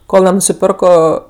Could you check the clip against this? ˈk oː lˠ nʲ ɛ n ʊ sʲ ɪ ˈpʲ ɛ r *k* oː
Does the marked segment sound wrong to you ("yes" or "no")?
no